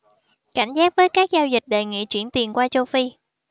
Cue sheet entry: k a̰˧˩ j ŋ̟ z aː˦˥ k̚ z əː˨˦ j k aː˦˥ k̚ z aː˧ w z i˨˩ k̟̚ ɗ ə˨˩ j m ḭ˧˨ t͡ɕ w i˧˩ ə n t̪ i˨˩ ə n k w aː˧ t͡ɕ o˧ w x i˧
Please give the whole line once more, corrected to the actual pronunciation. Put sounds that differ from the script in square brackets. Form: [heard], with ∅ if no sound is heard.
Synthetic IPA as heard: k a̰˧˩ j ŋ̟ z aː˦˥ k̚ [v] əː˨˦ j k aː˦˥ k̚ z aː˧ w z i˨˩ k̟̚ ɗ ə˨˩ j [ŋ] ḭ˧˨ t͡ɕ w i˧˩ ə n t̪ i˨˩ ə n k w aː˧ t͡ɕ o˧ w [f] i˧